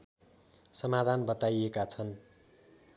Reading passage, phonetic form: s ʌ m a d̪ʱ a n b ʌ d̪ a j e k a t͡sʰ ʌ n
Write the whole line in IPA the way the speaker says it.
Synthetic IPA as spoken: s ʌ m a d̪ʱ a n b ʌ t̪ a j e k a t͡sʰ ʌ n